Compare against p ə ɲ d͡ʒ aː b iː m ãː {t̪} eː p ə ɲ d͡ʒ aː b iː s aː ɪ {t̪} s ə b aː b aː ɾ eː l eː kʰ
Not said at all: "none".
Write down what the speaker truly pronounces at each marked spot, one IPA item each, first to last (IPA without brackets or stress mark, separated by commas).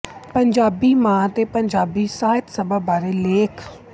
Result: t̪, t̪